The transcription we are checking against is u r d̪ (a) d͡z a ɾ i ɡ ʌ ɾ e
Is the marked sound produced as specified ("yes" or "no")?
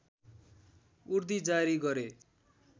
no